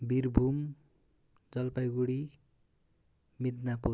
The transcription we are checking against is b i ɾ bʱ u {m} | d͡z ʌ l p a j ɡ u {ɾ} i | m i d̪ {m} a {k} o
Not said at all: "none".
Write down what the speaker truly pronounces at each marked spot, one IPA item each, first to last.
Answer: m, ɽ, n, p

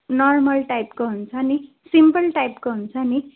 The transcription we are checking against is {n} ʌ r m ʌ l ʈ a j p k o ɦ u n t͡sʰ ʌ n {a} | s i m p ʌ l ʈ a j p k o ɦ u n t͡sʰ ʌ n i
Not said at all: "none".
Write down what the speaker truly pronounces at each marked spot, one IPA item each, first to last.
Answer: n, i

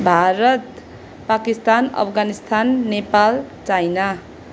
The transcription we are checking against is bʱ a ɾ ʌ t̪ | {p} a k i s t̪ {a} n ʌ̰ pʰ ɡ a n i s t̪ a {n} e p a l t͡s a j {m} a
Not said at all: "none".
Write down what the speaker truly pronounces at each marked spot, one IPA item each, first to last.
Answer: p, a, nː, n

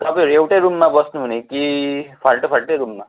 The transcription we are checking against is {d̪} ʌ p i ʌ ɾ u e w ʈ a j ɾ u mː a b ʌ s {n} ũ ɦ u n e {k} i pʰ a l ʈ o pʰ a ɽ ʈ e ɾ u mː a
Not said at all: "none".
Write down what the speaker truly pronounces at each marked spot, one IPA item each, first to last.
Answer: t̪, n, k

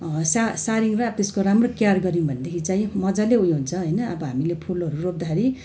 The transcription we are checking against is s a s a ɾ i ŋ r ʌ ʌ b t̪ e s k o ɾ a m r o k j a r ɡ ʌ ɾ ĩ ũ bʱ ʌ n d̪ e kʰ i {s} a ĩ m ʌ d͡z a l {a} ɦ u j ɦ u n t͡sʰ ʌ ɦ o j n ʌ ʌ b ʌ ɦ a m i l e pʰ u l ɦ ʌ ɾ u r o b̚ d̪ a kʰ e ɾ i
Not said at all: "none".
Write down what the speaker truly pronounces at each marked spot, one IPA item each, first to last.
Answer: t͡s, e

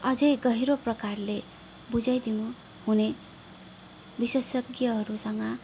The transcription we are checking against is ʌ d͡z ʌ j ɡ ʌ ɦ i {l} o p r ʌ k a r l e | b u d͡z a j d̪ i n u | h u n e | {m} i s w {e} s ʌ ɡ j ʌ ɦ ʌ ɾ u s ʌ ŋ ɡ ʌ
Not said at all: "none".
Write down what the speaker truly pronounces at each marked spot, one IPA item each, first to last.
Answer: ɾ, b, e

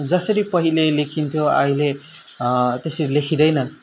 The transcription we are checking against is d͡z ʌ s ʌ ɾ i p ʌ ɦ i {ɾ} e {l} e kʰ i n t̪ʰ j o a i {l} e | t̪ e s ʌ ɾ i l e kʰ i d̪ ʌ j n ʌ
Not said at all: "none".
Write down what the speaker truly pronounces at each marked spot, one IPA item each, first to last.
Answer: l, l, l

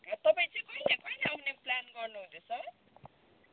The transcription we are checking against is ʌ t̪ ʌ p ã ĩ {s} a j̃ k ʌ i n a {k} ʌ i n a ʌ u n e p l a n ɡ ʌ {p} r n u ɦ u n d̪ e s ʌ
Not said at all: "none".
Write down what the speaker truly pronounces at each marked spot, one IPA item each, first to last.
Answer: t͡s, k, none

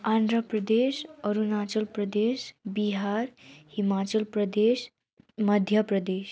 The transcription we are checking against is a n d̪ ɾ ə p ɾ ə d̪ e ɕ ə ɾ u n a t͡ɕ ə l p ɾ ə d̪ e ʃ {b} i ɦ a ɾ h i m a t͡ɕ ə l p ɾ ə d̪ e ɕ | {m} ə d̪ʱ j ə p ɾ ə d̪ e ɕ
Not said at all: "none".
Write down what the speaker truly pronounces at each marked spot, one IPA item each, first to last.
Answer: b, m

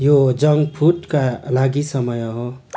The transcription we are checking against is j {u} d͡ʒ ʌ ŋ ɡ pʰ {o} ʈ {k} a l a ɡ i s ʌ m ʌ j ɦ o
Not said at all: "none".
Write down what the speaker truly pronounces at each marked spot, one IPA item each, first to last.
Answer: o, u, k

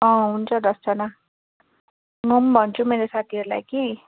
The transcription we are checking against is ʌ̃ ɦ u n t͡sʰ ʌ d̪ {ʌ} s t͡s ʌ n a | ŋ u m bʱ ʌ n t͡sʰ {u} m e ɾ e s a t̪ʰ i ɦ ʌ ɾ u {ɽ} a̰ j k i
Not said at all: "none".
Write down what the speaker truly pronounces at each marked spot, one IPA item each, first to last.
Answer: ʌ, u, l

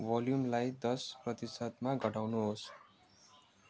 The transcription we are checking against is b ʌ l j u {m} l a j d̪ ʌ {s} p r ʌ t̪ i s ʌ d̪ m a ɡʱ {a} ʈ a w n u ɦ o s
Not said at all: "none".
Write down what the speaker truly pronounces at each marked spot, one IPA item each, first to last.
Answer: m, s, ʌ

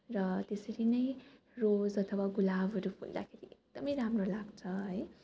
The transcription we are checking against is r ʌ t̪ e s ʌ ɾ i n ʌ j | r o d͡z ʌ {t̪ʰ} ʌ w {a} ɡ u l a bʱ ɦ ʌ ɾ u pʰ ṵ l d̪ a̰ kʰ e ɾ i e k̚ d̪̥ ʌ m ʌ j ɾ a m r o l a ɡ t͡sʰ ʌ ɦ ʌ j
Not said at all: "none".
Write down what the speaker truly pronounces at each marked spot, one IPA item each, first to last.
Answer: t̪ʰ, a

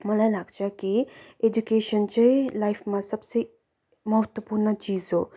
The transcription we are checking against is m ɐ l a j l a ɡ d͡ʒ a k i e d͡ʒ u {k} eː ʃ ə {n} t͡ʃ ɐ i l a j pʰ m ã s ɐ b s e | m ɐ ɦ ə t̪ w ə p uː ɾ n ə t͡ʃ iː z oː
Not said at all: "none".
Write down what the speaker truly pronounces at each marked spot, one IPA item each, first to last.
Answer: k, n

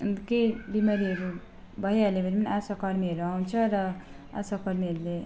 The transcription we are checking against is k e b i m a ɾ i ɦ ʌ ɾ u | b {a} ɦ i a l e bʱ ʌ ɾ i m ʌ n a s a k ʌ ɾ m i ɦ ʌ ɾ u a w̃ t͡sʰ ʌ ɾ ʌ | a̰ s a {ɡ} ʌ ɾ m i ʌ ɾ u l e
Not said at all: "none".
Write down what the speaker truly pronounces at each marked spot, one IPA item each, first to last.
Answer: ʌ, k

